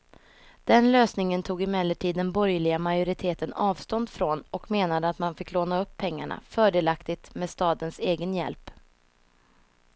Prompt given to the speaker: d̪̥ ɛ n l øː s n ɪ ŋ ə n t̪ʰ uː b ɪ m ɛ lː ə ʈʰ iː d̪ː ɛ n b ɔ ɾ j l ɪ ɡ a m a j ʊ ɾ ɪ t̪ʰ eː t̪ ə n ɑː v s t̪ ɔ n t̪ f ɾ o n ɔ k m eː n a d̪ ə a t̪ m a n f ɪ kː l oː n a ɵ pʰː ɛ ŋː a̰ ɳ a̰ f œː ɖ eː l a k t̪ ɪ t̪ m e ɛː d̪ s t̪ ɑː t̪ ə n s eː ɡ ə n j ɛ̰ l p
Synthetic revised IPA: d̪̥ ɛ n l øː s n ɪ ŋ ə n t̪ʰ uː ɡ ɪ m ɛ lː ə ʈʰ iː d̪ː ɛ n b ɔ ɾ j l ɪ ɡ a m a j ʊ ɾ ɪ t̪ʰ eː t̪ ə n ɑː v s t̪ ɔ n d̪ f ɾ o n ɔ k m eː n a d̪ ə a t̪ m a n f ɪ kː l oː n a ɵ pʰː ɛ ŋː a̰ ɳ a̰ f œː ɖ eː l a k t̪ ɪ t̪ m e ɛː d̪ s t̪ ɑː d̪ ə n s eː ɡ ə n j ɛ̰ l p